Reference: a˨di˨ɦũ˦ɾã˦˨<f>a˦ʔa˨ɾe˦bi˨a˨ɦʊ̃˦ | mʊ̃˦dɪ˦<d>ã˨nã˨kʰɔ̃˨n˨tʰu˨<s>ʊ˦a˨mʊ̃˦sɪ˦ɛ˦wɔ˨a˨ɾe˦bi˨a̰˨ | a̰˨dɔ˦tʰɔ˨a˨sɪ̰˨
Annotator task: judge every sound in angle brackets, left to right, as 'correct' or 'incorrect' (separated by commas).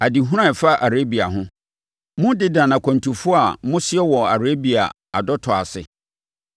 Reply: correct, correct, incorrect